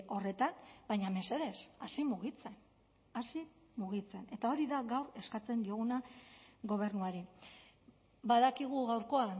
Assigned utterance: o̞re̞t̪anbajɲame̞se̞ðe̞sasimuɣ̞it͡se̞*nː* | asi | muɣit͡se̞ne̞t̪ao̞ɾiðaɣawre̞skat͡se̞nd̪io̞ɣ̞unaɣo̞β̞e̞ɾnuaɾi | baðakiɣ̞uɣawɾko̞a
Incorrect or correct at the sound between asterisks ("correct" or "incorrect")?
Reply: incorrect